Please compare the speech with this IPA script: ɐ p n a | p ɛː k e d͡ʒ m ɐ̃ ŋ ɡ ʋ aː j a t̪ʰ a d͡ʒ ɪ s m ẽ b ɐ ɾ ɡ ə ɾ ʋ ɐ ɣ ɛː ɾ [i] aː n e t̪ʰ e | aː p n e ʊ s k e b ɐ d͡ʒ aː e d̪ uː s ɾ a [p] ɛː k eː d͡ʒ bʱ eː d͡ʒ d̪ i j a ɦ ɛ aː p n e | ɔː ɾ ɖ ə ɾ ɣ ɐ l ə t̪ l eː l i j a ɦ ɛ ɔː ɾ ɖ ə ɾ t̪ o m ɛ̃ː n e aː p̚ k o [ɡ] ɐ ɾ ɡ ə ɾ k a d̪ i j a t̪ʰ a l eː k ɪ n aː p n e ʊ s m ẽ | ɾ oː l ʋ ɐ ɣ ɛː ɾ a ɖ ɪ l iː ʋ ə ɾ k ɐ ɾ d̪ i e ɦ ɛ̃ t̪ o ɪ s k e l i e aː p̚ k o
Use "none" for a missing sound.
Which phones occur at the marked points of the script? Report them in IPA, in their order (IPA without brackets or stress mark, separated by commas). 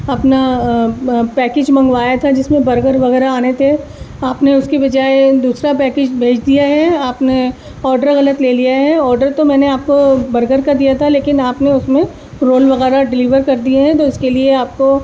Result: a, p, b